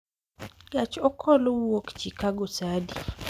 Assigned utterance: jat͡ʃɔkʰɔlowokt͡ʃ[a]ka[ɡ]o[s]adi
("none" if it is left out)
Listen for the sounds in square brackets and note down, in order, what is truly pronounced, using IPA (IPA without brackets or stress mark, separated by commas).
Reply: i, ɡ, s